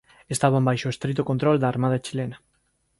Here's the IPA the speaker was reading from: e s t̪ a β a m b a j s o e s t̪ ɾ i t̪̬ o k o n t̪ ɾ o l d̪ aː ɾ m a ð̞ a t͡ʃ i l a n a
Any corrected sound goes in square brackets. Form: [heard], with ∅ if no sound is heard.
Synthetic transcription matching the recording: e s t̪ a β a m b a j [ʃ] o e s t̪ ɾ i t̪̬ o k o n t̪ ɾ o l d̪ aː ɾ m a ð̞ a t͡ʃ i l [e] n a